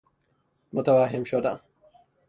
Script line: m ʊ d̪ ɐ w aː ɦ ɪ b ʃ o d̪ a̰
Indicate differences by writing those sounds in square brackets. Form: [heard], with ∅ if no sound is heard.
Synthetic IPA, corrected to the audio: m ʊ [t̪] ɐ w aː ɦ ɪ [m] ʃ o d̪ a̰